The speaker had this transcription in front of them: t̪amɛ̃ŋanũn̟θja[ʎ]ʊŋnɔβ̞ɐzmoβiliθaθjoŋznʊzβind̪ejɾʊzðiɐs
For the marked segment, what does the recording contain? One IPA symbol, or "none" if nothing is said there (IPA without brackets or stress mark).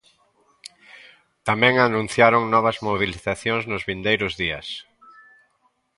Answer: ɾ